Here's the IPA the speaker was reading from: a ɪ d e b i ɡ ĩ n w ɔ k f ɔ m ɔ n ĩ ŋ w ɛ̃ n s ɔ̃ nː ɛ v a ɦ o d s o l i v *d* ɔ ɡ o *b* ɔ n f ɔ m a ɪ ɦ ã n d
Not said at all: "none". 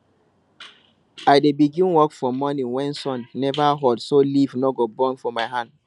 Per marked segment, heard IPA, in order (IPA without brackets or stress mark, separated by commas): n, b